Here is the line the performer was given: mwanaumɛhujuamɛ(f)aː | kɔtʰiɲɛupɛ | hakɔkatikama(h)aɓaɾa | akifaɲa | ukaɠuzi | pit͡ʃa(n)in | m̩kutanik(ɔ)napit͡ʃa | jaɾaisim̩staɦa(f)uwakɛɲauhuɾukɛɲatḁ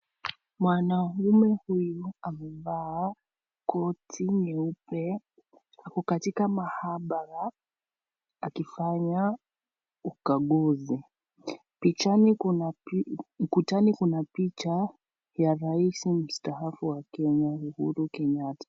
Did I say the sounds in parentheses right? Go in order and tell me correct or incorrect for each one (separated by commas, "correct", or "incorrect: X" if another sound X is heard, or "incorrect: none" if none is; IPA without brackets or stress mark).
incorrect: v, correct, correct, incorrect: u, correct